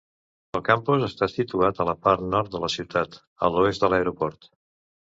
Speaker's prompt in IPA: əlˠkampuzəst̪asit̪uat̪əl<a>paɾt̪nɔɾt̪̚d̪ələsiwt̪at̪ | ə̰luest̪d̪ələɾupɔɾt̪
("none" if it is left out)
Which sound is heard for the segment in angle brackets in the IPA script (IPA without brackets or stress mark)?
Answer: ə